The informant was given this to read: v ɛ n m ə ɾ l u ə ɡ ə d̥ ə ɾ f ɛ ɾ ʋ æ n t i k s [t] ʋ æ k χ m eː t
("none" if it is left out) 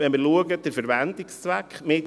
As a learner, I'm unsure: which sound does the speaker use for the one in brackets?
t͡s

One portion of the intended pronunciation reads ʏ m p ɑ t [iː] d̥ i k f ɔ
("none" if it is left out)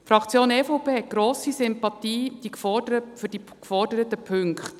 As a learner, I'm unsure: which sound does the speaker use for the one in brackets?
iː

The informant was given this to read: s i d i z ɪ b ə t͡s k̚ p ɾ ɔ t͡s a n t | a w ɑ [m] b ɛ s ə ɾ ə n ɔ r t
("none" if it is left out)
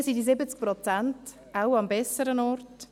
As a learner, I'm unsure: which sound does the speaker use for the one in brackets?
m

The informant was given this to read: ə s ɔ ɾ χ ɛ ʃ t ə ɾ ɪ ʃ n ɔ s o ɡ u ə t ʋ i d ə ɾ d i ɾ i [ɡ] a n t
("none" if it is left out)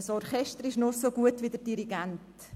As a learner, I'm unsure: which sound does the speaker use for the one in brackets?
ɡ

